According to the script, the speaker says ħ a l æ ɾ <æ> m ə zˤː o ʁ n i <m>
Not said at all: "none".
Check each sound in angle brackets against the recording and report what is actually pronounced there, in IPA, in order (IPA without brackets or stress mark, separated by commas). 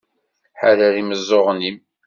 i, m